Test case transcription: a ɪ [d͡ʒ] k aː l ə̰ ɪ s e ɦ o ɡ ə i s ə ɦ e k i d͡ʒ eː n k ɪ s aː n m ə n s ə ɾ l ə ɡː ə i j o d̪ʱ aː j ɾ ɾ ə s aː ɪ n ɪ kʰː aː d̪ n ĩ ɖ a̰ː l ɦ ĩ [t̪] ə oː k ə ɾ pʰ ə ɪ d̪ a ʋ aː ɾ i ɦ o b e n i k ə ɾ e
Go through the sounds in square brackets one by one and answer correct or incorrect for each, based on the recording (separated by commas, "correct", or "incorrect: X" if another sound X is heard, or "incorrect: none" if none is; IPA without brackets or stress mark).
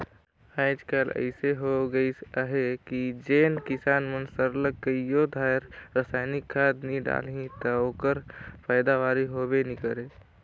correct, correct